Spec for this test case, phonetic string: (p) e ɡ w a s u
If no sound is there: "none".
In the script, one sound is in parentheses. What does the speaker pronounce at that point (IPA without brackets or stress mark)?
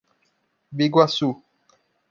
b